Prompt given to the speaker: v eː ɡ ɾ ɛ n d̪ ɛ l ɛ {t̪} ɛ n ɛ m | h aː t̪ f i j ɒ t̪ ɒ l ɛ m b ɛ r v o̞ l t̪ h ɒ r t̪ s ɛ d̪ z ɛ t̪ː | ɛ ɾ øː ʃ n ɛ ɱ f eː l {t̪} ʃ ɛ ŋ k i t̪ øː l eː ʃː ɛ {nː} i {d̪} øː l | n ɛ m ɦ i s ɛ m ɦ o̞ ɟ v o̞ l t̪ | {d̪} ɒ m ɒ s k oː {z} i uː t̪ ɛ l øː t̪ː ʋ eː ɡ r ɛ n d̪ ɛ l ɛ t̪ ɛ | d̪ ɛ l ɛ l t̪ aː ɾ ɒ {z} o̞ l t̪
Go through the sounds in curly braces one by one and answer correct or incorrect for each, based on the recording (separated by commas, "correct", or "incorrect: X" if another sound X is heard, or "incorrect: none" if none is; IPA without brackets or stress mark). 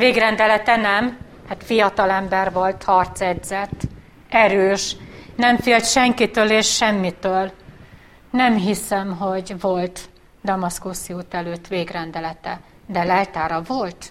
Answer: correct, correct, incorrect: mː, incorrect: t̪, correct, incorrect: s, incorrect: v